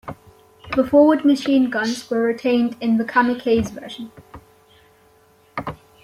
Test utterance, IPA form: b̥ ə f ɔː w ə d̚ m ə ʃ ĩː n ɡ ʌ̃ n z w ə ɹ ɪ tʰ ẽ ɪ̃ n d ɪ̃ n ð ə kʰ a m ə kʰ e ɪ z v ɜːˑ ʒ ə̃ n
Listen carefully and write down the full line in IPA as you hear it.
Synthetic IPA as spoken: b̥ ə f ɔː w ə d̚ m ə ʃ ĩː n ɡ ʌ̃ n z w ə ɹ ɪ tʰ ẽ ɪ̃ n d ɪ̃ n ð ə kʰ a m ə kʰ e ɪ z v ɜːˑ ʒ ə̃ n